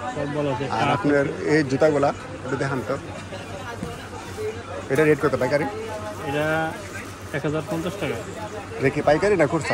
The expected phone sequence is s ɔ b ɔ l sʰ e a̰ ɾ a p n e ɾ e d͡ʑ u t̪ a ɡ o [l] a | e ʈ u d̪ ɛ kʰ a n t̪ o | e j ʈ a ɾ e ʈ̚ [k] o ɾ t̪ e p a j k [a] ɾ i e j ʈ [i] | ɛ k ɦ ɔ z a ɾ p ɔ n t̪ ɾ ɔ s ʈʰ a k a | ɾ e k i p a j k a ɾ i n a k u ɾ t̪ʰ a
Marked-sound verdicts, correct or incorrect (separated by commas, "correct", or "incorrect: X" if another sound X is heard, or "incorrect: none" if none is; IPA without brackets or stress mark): correct, correct, correct, incorrect: a